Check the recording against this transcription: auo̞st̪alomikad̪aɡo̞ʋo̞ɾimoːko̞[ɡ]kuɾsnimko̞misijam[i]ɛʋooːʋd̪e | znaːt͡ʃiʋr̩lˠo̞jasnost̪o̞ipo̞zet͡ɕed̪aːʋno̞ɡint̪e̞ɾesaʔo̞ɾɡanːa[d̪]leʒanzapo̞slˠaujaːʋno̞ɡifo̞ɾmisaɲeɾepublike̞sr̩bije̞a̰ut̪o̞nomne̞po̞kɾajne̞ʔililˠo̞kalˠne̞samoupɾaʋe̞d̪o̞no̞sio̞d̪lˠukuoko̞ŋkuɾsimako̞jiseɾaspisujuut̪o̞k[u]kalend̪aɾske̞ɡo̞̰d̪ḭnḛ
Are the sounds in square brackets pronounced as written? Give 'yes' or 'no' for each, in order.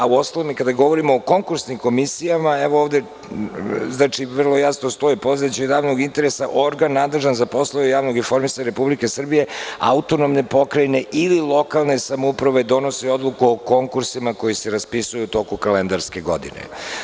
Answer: no, no, yes, yes

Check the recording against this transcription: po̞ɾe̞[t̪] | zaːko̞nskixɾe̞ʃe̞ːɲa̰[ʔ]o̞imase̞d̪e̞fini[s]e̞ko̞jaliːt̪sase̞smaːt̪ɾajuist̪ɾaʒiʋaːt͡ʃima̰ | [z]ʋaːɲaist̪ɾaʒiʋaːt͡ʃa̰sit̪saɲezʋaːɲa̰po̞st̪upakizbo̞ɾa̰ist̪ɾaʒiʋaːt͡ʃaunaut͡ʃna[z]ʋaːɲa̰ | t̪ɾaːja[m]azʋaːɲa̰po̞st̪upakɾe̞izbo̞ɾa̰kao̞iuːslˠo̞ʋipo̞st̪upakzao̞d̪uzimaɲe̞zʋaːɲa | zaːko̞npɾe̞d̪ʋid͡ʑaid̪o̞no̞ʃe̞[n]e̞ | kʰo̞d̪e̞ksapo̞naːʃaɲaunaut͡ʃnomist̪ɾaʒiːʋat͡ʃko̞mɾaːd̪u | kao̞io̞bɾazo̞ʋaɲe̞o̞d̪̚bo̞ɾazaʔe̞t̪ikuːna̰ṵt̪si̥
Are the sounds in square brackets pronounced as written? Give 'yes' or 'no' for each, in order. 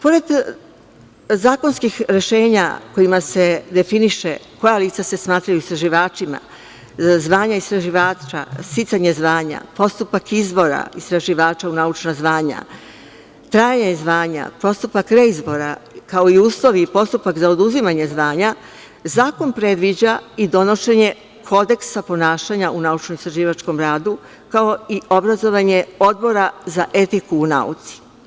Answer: no, no, no, yes, yes, no, no

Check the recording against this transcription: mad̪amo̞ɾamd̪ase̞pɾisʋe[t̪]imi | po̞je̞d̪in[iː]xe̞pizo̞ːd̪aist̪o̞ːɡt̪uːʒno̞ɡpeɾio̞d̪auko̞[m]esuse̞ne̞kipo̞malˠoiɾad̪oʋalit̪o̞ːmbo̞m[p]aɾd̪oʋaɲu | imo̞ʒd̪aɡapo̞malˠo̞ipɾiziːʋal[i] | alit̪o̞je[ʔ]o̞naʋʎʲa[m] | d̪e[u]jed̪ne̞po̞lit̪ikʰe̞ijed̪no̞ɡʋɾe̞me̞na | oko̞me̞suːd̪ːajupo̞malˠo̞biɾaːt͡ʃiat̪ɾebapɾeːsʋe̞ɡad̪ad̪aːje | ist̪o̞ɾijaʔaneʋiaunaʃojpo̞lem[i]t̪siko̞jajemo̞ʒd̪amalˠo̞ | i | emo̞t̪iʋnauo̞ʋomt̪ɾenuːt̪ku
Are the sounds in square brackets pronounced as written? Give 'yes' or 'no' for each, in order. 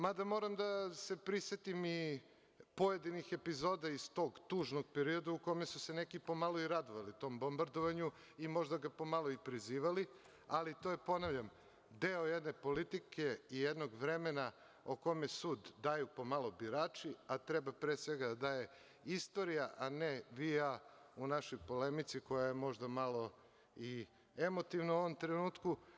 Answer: yes, no, yes, no, yes, no, yes, no, yes

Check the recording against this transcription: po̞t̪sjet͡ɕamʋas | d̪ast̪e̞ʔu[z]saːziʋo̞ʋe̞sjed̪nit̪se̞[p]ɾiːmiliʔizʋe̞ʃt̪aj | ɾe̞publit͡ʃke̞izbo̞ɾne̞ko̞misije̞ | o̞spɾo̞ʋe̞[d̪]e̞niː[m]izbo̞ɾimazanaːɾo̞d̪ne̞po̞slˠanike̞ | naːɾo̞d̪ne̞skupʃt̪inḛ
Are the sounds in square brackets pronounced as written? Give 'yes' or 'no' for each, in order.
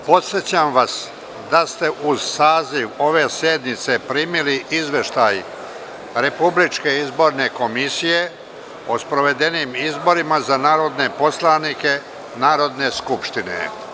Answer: yes, yes, yes, yes

